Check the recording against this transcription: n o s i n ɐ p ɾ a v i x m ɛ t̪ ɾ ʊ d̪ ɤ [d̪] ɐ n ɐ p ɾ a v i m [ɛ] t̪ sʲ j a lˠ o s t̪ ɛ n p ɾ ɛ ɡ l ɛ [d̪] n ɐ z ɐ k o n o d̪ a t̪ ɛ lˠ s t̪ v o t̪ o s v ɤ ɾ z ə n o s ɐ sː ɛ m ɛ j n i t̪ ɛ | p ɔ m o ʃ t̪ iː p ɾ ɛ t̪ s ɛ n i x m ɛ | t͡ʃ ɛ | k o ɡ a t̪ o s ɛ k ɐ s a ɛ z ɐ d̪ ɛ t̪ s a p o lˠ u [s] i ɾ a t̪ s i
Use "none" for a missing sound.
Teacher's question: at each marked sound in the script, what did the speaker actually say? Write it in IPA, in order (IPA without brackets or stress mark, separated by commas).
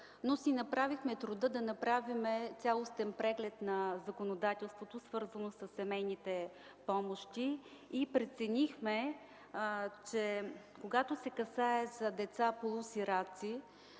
d̪, ɛ, t̪, s